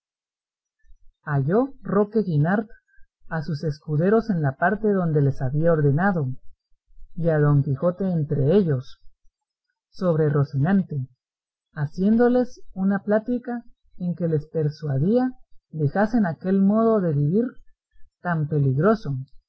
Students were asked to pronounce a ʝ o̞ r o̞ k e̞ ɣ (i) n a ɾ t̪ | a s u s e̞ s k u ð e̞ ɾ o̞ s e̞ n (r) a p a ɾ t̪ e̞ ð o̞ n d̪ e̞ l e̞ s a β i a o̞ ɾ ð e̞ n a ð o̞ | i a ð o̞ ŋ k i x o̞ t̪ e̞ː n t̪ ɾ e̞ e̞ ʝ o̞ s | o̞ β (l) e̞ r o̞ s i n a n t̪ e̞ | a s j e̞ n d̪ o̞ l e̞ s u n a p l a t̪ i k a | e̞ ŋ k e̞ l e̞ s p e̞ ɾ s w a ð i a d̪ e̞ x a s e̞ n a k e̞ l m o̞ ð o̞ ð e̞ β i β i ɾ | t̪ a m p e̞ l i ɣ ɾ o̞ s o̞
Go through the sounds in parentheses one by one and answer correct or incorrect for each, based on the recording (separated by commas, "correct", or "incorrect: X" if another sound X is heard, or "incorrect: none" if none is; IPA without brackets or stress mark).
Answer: correct, incorrect: l, incorrect: ɾ